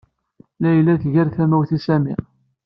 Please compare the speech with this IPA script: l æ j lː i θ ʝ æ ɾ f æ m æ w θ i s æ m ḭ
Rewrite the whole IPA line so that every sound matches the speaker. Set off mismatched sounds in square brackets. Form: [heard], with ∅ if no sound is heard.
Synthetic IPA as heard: l æ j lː [æ] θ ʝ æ ɾ [θ] æ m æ w θ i s æ m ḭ